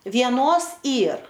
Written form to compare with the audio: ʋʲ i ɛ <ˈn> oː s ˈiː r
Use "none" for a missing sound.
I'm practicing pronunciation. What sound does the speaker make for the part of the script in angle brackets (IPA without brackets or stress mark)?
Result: n